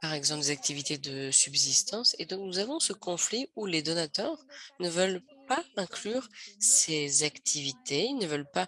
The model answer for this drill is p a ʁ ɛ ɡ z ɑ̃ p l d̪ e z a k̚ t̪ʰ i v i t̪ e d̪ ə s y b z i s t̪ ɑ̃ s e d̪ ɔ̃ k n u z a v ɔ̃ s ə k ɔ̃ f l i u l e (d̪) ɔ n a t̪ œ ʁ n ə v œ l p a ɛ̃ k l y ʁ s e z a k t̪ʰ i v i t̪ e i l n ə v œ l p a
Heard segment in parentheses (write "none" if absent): d̪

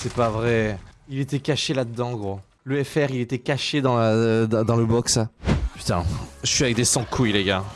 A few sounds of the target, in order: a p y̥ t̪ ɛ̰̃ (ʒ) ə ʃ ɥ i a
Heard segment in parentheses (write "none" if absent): ʒ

